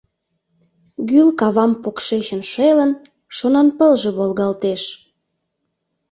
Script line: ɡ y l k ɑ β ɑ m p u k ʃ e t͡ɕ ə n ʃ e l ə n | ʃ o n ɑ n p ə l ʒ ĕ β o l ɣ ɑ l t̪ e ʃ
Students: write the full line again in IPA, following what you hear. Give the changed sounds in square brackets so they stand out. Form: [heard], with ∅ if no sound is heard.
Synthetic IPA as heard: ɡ y l k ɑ β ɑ m p [o] k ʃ e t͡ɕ ə n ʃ e l ə n | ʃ o n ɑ n p ə l ʒ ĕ β o l ɣ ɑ l t̪ e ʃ